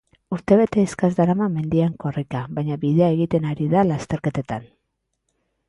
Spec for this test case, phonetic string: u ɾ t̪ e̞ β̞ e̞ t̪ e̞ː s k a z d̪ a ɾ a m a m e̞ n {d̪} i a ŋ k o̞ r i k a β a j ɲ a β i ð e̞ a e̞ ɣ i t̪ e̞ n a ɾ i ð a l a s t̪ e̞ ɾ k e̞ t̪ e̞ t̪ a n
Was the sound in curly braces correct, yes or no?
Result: yes